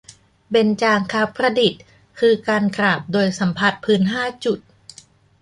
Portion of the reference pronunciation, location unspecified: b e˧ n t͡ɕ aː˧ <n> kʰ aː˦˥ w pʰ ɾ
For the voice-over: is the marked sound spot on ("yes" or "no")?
no